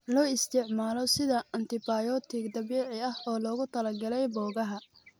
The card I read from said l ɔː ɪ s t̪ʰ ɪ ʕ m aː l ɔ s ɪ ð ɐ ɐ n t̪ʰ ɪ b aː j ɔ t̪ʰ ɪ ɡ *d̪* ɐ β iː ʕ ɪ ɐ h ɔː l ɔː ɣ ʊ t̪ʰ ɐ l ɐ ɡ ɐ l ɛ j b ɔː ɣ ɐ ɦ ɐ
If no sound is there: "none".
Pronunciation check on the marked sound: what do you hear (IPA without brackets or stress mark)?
d̪